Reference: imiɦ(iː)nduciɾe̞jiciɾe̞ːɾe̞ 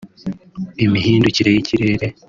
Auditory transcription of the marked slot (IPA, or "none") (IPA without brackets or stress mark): iː